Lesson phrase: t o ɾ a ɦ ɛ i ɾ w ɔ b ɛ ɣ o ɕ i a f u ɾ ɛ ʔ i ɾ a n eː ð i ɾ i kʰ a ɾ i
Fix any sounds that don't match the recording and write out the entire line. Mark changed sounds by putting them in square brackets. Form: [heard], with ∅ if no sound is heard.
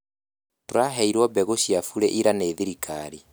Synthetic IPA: t o ɾ a ɦ ɛ i ɾ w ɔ b ɛ ɣ o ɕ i a f u ɾ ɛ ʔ i ɾ a n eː ð i ɾ i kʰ a ɾ i